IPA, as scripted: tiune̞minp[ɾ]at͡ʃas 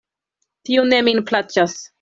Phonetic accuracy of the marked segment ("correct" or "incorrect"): incorrect